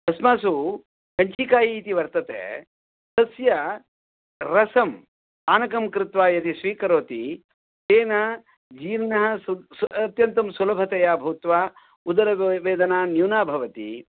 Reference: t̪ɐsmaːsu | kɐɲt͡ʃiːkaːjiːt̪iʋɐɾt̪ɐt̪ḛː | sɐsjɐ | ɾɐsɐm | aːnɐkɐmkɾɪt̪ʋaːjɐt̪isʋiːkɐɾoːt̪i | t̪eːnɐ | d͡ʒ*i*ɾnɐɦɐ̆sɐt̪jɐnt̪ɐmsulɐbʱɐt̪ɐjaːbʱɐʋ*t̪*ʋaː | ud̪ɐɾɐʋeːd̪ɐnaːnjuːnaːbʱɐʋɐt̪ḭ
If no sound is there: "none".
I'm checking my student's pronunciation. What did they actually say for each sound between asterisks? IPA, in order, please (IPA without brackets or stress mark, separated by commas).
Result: iː, t̪